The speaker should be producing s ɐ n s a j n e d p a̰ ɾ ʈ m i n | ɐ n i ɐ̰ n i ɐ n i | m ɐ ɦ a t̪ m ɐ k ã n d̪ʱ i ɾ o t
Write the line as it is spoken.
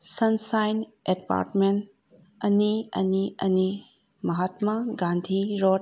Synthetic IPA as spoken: s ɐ n s a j n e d p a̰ ɾ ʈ m e n | ɐ n i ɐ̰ n i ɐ n i | m ɐ ɦ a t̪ m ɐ ɡ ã n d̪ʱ i ɾ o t

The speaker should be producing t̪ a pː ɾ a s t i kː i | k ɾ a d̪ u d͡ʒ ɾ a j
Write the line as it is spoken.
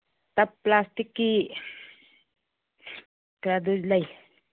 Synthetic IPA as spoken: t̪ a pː l a s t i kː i | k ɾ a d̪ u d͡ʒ l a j

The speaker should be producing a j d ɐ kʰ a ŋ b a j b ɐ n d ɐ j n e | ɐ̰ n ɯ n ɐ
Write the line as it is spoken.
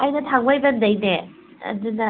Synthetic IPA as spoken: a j n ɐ tʰ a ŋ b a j b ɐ n d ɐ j n e | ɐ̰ d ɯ n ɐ

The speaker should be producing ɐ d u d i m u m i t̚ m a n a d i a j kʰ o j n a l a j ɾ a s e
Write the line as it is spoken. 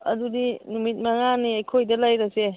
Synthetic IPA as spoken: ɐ d u d i n u m i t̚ m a ŋ a n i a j kʰ o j d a l a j ɾ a s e

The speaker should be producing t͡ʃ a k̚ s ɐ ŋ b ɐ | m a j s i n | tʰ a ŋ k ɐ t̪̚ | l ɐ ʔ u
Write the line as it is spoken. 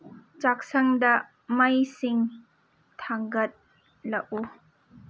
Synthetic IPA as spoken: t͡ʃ a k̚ s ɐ ŋ d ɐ | m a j s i ŋ | tʰ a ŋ ɡ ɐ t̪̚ | l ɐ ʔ u

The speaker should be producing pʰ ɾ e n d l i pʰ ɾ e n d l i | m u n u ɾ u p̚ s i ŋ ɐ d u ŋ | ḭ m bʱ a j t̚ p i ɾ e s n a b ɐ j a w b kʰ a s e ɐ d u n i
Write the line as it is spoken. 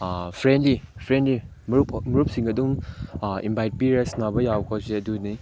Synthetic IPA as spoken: pʰ ɾ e n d l i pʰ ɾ e n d l i | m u m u ɾ u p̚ s i ŋ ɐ d u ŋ | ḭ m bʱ a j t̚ p i ɾ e s n a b ɐ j a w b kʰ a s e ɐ d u n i

